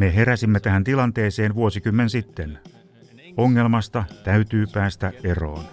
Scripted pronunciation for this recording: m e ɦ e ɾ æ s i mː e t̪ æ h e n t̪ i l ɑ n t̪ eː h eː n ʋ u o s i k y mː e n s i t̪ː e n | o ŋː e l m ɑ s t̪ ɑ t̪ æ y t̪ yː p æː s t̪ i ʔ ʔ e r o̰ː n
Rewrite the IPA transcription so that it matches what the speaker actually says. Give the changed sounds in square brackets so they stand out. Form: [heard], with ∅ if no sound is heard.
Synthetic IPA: m e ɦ e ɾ æ s i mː e t̪ æ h [æ] n t̪ i l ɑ n t̪ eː [s] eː n ʋ u o s i k y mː e n s i t̪ː e n | o ŋː e l m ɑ s t̪ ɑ t̪ æ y t̪ yː p æː s t̪ [æ] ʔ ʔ e r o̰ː n